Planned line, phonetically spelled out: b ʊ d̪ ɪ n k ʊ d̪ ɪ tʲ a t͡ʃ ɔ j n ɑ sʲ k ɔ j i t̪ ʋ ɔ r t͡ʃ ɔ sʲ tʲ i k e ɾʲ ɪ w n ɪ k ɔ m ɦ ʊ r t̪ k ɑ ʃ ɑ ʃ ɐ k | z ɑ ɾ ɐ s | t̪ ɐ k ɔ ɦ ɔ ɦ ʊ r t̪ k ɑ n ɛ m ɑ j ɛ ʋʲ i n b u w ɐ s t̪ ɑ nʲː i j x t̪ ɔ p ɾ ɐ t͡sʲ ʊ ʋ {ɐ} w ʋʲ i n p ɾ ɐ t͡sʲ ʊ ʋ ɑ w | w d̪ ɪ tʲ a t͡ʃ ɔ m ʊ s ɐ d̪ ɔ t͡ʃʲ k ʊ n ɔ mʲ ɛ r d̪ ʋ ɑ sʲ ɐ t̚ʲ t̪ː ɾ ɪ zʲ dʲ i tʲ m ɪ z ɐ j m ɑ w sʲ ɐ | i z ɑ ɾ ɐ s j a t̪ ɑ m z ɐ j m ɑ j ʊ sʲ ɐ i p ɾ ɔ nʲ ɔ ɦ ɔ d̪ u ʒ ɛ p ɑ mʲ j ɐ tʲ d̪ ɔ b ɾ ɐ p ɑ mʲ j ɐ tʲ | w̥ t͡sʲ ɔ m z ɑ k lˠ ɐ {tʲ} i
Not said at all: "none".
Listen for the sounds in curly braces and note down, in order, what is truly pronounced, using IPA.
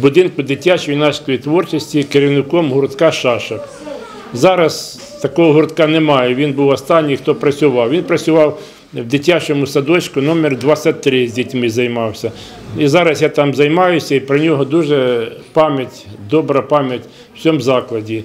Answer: ɑ, dʲ

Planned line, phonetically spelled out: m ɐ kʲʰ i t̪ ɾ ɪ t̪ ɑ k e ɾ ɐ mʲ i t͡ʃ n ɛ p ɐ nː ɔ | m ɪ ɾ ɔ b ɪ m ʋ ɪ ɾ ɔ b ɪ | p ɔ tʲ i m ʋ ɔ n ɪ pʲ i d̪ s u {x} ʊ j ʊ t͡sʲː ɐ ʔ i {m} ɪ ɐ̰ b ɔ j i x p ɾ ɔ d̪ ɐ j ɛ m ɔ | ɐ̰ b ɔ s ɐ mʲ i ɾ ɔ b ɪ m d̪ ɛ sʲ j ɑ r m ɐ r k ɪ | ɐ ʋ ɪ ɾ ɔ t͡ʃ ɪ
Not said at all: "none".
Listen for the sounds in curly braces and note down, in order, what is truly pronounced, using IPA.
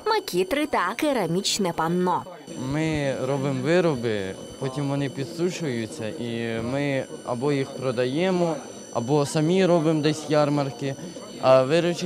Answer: ʃ, m

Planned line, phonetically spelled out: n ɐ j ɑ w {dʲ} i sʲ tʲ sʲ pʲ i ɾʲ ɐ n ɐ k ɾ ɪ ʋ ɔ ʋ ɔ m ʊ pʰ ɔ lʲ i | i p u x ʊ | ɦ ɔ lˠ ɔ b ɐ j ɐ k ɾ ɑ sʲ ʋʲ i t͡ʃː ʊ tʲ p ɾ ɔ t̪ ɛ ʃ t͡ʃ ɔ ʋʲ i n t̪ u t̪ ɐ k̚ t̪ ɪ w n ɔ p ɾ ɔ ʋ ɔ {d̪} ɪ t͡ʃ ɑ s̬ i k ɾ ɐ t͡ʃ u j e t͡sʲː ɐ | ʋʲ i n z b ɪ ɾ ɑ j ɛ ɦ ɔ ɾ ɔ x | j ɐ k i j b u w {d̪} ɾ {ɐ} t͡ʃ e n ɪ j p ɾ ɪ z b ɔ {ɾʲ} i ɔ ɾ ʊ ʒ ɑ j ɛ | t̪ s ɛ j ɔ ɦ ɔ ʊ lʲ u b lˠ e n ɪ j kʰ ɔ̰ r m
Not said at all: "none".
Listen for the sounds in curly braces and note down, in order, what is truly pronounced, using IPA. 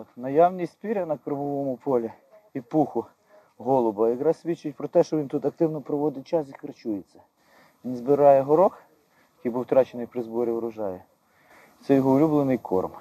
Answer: nʲ, d̪, t̪, ɑ, ɾʲ

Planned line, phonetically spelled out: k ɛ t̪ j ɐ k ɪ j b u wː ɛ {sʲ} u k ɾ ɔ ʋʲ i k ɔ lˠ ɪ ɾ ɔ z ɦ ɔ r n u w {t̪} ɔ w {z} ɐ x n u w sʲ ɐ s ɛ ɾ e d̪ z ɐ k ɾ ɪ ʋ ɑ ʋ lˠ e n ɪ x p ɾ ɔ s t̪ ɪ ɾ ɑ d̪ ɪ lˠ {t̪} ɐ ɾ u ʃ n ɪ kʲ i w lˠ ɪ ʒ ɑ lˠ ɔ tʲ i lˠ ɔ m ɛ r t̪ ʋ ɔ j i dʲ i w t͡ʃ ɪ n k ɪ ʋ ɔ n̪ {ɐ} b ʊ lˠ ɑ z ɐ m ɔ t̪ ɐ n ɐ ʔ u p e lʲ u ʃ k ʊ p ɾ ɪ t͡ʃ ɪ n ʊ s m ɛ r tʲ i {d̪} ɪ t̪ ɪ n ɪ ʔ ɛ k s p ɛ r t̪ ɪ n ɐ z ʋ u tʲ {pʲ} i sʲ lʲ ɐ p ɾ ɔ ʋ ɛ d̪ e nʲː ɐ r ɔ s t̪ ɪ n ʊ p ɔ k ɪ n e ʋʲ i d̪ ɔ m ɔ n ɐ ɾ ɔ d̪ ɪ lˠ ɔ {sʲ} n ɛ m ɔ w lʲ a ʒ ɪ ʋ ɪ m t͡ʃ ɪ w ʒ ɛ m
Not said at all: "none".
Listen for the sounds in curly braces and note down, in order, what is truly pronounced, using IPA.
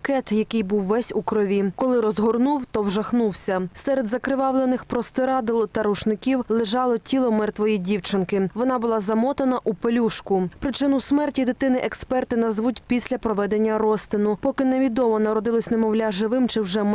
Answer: sʲ, t̪, ʒ, t̪, ɑ, d̪, pʲ, sʲ

